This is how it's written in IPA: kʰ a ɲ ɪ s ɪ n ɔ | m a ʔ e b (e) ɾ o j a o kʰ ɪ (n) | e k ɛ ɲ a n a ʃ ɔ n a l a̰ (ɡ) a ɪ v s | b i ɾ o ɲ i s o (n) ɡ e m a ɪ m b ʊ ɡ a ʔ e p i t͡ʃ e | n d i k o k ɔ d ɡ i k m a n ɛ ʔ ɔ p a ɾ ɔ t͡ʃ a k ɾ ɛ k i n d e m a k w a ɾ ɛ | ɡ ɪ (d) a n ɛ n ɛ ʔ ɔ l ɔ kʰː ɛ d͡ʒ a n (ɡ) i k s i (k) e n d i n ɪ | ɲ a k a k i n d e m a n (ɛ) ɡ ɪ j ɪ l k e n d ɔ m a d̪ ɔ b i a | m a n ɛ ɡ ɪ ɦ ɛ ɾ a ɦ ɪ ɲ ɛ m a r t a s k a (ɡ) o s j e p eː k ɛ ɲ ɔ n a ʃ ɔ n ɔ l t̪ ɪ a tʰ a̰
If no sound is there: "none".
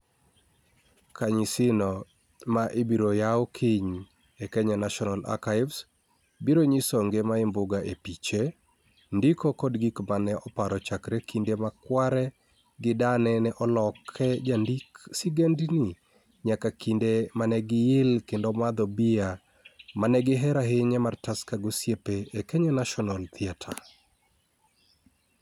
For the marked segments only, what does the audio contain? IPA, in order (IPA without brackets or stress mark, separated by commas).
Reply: i, ɲ, k, ŋ, d, d, ɡ, ɛ, ɡ